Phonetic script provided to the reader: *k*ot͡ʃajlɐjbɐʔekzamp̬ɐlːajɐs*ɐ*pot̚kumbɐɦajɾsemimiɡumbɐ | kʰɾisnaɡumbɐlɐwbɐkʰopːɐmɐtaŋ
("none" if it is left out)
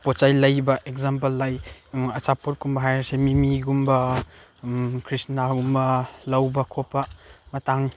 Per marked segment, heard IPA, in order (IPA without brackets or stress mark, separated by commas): p, a